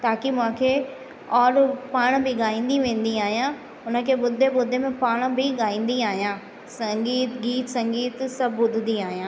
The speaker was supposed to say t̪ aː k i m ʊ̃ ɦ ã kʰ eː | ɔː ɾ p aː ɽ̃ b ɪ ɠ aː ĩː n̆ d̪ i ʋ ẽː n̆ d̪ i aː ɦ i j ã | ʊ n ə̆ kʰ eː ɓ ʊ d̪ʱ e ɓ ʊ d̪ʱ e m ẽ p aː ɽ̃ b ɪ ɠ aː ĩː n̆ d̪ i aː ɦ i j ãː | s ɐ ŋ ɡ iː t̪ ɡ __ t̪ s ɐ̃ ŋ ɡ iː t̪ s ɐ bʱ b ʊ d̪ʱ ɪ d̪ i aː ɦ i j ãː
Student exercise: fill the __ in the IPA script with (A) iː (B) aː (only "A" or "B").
A